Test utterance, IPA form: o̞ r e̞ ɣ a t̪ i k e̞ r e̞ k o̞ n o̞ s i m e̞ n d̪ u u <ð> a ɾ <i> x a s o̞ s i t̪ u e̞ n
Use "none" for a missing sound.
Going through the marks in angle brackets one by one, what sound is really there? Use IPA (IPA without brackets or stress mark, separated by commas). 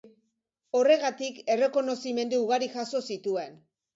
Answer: ɣ, i